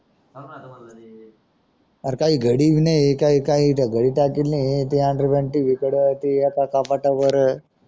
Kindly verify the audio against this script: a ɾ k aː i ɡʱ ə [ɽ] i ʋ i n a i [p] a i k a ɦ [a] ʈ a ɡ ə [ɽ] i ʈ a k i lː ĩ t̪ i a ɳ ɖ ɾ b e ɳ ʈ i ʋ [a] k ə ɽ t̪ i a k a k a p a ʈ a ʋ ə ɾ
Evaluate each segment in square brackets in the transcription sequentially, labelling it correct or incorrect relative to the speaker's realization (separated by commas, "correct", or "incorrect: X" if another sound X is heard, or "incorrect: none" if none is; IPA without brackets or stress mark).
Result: correct, incorrect: k, incorrect: i, correct, incorrect: i